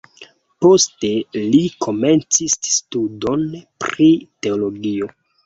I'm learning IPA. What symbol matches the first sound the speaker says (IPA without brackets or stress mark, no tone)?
p